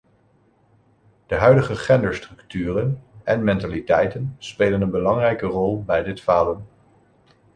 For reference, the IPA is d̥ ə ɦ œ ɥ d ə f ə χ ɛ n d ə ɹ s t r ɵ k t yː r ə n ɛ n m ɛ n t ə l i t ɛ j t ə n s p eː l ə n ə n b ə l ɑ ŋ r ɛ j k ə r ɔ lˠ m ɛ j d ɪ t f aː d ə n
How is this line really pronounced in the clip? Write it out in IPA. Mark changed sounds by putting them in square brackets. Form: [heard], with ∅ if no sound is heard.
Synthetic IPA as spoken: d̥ ə ɦ œ ɥ d ə [χ] ə χ ɛ n d ə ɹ s t r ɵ k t yː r ə n ɛ n m ɛ n t [a] l i t ɛ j t ə n s p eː l ə n ə n b ə l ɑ ŋ r ɛ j k ə r ɔ lˠ [b] ɛ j d ɪ t f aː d ə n